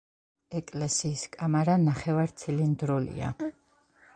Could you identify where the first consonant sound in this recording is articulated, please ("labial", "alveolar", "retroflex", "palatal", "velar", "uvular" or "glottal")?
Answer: velar